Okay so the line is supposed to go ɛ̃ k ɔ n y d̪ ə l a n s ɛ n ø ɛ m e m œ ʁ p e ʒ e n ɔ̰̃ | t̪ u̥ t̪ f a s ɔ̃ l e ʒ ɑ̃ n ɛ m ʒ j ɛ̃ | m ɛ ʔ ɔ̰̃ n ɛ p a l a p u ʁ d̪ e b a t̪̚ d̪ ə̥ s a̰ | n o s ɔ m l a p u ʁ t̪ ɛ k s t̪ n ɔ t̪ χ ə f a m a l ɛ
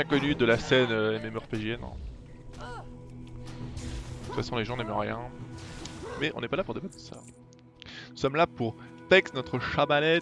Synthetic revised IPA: ɛ̃ k ɔ n y d̪ ə l a s ɛ n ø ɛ m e m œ ʁ p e ʒ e n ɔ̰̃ | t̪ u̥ t̪ f a s ɔ̃ l e ʒ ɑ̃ n ɛ m ʁ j ɛ̃ | m ɛ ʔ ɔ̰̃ n ɛ p a l a p u ʁ d̪ e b a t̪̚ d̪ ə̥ s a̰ | n u s ɔ m l a p u ʁ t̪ ɛ k s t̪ n ɔ t̪ χ ə ʃ a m a l ɛ